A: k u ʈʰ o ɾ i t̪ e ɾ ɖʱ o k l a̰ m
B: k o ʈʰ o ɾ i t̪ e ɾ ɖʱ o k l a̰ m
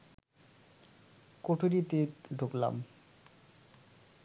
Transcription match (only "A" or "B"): B